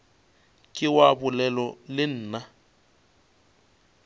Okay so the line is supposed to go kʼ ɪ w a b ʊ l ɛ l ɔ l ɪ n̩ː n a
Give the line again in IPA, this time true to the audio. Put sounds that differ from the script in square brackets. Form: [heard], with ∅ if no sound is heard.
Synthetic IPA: kʼ ɪ w a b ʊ l ɛ l ɔ l ɪ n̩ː n a